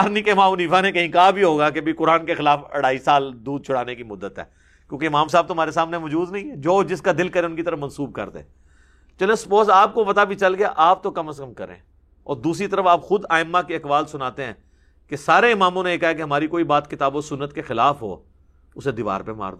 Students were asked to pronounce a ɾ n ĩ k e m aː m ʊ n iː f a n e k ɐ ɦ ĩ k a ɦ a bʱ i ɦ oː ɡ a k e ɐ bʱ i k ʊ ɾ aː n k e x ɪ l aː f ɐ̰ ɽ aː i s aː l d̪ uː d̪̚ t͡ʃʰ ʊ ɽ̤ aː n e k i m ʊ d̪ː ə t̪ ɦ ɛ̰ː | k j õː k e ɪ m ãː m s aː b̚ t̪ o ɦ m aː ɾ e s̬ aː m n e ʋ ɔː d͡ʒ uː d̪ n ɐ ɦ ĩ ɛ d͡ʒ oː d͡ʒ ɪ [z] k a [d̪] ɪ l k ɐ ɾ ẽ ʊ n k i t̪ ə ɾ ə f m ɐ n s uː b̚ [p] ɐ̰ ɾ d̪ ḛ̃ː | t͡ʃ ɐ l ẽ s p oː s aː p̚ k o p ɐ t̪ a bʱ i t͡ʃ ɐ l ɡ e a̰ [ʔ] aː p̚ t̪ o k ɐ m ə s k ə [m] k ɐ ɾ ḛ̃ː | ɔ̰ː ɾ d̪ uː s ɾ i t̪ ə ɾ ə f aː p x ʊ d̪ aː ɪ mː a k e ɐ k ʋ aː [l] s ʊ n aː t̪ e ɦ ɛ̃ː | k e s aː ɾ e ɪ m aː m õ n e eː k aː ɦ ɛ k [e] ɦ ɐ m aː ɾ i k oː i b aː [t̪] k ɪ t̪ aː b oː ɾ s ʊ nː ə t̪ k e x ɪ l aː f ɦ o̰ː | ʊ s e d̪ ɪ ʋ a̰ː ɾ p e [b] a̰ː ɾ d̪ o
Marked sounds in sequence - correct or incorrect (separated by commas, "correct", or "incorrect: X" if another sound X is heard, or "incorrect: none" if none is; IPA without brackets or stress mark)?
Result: incorrect: s, correct, incorrect: k, correct, correct, correct, correct, correct, incorrect: m